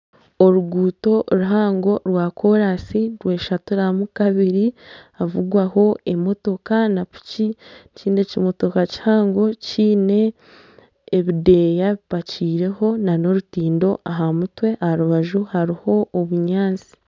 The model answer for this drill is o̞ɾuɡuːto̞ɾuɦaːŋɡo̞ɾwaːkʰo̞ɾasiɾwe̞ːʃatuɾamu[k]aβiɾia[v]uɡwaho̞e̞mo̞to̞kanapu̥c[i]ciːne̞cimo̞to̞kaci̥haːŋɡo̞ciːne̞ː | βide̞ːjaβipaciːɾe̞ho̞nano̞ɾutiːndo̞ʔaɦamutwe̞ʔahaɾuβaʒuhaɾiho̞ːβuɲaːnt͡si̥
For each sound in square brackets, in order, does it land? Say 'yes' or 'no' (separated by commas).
yes, yes, yes